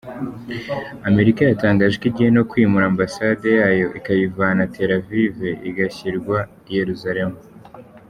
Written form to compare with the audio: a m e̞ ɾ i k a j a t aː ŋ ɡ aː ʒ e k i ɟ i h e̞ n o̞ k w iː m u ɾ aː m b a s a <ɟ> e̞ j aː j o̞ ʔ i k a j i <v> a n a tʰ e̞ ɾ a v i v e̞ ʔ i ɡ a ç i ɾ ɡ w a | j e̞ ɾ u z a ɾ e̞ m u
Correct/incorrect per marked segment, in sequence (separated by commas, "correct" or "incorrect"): incorrect, correct